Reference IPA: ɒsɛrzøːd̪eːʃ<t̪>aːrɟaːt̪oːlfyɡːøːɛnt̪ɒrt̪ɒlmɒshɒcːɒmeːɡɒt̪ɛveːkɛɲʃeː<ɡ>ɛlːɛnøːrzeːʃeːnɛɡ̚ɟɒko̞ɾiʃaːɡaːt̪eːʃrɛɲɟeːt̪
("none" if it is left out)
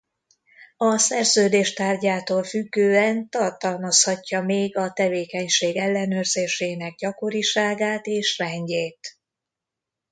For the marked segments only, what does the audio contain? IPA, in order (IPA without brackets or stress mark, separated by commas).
t̪, ɡ